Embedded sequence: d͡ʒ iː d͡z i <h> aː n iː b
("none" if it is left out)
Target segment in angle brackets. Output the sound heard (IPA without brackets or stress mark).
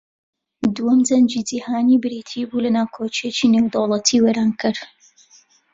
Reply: h